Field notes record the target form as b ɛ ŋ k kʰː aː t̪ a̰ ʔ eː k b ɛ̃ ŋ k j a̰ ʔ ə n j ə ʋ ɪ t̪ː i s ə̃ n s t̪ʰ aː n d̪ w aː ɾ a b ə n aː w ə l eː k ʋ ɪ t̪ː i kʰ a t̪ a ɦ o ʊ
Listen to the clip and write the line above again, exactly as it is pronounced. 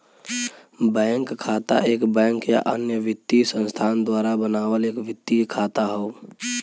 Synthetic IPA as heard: b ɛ ŋ k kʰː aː t̪ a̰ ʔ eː k b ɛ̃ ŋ k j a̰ ʔ ə n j ə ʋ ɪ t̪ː i s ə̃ n s t̪ʰ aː n d̪ w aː ɾ a b ə n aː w ə l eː k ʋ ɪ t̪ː i kʰ a t̪ a ɦ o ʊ